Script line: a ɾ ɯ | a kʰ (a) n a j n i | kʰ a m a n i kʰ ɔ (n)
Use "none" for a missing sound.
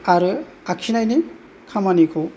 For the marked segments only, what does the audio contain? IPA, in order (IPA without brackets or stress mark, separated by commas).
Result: i, none